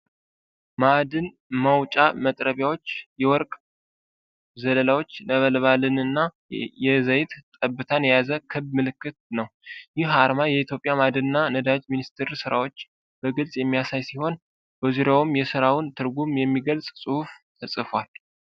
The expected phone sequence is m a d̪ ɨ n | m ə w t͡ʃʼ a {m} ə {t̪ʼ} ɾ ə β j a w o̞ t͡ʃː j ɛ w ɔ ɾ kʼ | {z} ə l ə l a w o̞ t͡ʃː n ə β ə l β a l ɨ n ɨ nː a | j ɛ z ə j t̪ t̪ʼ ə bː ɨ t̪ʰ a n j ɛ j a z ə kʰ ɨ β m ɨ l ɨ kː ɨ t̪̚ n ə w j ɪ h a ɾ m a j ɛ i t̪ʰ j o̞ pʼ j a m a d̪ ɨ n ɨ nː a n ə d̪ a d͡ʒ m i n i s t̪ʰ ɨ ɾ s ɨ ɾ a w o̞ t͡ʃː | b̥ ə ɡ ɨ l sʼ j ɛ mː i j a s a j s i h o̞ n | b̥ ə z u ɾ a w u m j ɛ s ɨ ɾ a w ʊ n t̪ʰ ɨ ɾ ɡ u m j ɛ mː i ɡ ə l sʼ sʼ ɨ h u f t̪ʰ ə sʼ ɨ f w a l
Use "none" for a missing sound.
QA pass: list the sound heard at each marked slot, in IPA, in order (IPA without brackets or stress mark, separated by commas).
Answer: m, t̪ʼ, z